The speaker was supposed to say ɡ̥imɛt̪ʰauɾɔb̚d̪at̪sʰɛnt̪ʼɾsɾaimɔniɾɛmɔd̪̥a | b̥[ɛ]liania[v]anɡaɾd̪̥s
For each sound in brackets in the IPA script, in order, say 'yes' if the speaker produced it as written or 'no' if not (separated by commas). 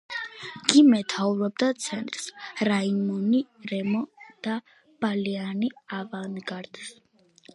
no, yes